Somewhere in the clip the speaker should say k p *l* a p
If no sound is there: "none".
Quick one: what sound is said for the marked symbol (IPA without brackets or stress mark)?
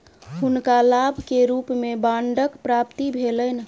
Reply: ɾ